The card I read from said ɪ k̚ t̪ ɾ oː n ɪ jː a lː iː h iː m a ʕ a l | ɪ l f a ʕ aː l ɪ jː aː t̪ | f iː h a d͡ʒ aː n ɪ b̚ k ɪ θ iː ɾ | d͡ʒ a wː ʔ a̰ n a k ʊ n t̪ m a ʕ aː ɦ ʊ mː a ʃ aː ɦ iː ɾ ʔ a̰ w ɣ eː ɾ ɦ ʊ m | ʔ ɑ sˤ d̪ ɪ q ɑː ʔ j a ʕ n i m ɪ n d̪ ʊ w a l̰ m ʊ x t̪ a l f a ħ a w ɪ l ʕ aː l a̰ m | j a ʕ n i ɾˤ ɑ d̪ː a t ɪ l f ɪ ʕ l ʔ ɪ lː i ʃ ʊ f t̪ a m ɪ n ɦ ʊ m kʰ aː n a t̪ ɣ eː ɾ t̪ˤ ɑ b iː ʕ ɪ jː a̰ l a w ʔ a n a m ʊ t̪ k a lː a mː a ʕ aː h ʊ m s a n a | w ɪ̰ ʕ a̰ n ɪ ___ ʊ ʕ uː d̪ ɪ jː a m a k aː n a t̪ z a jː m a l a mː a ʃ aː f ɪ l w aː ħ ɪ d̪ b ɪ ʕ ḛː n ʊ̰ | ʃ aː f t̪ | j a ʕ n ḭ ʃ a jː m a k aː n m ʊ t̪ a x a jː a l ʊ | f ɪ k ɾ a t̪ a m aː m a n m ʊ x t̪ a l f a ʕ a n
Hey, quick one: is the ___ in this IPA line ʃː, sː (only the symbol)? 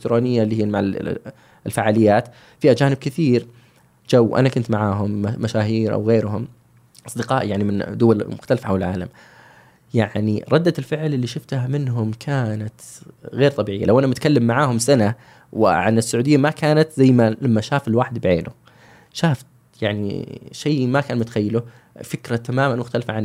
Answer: sː